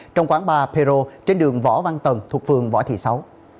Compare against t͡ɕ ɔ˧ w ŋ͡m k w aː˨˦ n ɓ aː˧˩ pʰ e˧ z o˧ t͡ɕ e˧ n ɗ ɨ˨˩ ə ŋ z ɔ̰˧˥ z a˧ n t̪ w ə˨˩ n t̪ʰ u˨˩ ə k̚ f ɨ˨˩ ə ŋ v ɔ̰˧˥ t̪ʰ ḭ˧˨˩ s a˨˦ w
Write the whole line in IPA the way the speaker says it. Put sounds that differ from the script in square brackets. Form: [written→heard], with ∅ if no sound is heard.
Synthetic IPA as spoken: t͡ɕ ɔ˧ w ŋ͡m k w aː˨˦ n ɓ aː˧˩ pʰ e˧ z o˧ t͡ɕ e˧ n ɗ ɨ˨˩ ə ŋ [z→v] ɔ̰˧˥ [z→v] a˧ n t̪ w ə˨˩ n t̪ʰ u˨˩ ə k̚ f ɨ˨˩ ə ŋ v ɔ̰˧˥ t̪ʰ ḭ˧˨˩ s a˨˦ w